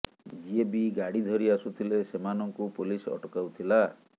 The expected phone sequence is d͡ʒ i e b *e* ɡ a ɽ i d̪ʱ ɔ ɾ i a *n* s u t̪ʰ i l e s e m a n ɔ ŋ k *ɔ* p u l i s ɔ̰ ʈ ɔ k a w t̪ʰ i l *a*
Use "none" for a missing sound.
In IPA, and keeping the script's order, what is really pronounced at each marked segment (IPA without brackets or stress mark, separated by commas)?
i, none, u, a